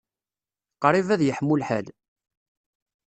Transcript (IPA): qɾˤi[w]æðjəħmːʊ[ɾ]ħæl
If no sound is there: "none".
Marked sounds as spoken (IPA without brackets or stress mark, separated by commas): v, l